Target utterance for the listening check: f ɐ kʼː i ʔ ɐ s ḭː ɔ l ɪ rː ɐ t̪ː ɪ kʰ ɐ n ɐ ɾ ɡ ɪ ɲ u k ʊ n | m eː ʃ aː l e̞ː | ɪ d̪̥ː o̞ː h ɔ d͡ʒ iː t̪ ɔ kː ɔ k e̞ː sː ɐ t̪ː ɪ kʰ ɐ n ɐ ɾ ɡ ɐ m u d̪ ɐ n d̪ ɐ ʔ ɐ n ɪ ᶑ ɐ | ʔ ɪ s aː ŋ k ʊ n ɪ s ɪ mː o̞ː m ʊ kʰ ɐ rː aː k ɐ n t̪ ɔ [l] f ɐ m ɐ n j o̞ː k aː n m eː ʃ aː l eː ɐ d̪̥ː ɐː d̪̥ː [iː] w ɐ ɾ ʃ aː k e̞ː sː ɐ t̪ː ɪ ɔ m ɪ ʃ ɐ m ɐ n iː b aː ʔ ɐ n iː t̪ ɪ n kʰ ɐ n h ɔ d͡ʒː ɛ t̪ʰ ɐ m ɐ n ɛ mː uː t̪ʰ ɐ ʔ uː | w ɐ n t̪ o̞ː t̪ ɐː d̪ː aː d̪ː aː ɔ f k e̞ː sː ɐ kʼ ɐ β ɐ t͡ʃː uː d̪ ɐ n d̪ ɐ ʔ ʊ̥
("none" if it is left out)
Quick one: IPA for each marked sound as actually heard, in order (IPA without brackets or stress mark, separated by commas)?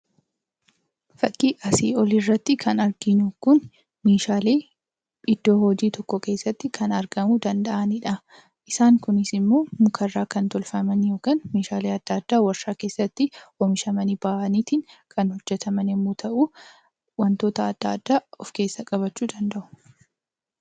l, aː